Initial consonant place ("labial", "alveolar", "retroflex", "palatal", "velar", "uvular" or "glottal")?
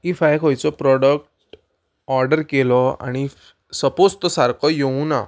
labial